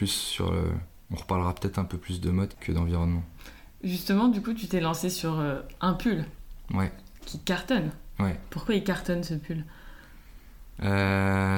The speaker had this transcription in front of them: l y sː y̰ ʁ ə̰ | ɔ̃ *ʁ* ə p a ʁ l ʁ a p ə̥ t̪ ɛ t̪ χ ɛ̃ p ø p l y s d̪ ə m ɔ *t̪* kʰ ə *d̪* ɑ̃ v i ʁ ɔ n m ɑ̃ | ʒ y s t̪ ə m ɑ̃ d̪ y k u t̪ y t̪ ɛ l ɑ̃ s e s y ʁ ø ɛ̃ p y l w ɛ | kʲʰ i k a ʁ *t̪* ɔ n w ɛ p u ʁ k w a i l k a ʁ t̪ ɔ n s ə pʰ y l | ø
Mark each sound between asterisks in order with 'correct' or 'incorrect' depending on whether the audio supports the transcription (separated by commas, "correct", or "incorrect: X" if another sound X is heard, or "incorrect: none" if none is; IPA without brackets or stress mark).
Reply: correct, incorrect: d̪, correct, correct